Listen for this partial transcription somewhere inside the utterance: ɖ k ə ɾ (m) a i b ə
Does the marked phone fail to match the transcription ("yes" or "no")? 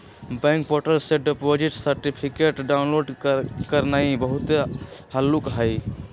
yes